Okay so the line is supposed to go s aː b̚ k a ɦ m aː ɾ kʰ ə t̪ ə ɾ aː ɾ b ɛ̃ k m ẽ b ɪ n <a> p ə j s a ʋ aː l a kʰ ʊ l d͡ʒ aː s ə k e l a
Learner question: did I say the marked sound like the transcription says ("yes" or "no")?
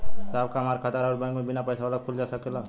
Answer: yes